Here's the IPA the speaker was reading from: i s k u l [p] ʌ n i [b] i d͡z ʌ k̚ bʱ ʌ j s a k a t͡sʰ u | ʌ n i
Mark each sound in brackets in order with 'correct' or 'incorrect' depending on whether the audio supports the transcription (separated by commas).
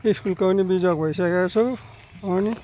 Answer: incorrect, correct